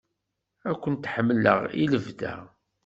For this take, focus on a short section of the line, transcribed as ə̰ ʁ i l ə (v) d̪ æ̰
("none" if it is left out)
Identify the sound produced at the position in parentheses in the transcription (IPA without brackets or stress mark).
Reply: v